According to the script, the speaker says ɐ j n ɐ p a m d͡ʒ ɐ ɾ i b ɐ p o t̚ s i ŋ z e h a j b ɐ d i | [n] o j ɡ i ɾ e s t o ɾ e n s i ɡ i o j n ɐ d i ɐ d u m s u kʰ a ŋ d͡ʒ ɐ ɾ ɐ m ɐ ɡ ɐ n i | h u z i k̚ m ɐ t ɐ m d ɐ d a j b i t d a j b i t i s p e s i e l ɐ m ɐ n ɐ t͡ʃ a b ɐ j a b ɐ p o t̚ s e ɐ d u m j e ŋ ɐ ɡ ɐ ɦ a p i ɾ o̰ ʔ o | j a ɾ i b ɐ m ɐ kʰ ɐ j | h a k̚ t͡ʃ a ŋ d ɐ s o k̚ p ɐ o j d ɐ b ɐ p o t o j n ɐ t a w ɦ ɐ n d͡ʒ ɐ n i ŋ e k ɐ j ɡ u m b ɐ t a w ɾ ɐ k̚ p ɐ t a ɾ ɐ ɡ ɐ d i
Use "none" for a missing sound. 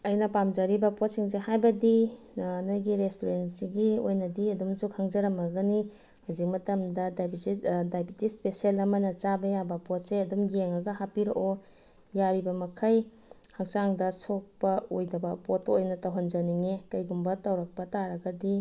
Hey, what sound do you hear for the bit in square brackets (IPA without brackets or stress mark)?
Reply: n